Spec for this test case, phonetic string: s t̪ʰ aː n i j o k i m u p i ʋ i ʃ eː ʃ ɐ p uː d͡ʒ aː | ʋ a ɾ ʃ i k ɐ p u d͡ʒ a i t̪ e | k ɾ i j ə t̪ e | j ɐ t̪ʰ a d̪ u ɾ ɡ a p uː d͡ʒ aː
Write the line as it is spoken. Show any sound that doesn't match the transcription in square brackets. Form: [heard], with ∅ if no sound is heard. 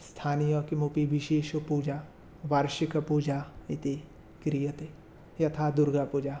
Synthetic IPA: s t̪ʰ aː n i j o k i m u p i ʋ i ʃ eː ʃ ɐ p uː d͡ʒ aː | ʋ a ɾ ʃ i k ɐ p u d͡ʒ a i t̪ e | k ɾ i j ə t̪ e | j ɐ t̪ʰ a d̪ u ɾ ɡ a p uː d͡ʒ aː